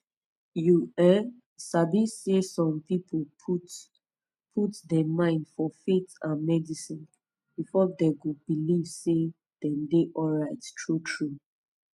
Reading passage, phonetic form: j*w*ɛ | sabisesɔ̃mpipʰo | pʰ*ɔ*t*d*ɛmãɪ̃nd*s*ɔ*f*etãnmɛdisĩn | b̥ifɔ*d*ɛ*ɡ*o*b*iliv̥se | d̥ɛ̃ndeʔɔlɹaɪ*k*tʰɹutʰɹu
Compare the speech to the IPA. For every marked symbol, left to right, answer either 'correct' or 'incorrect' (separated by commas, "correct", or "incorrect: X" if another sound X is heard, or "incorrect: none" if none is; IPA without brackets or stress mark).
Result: incorrect: u, incorrect: u, correct, incorrect: f, correct, correct, correct, correct, incorrect: t